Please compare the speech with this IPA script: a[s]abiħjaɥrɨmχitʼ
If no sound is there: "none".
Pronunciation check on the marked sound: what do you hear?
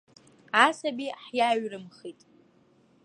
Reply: s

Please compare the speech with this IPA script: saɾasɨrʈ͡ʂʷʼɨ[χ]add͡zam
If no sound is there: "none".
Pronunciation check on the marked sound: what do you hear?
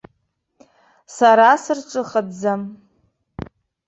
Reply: χ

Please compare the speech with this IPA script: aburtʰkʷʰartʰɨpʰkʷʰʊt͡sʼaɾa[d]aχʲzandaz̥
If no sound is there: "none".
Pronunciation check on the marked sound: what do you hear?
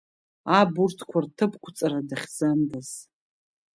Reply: d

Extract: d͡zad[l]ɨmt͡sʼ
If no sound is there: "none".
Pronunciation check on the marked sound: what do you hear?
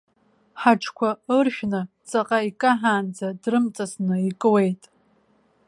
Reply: r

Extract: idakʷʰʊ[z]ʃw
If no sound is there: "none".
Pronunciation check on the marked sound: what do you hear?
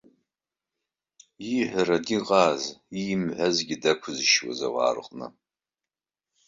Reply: z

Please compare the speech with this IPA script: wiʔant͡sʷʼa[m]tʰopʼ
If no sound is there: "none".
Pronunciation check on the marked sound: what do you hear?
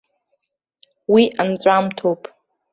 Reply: m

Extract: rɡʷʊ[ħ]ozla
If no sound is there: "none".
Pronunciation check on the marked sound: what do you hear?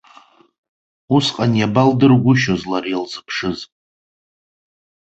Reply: ʃ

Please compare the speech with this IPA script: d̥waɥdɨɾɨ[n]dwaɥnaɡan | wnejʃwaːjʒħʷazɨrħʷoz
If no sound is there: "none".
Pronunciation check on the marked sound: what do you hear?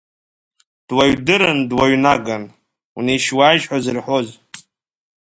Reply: n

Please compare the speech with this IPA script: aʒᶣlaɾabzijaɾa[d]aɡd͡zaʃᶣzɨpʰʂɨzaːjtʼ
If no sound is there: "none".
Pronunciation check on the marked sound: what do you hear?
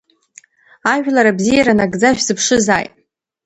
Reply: n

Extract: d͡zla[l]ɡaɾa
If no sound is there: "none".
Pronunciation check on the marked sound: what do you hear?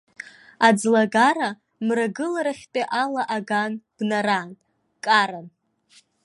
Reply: none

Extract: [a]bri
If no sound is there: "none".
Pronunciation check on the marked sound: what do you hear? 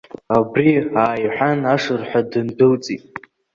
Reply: a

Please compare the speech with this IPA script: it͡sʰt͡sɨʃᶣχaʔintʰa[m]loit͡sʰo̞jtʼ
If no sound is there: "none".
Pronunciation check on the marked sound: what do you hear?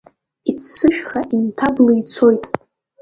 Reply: b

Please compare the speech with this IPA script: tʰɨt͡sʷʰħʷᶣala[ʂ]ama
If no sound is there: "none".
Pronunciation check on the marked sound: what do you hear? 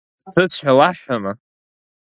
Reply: ħ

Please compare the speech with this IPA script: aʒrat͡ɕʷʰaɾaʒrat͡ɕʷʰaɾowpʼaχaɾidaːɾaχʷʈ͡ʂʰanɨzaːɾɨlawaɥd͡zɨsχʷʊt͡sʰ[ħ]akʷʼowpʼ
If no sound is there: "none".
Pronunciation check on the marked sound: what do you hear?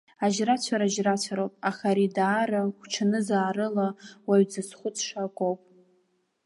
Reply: ʂ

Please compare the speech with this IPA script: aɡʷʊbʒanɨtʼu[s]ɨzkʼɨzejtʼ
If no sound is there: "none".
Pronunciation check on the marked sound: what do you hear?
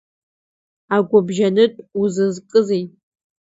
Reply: z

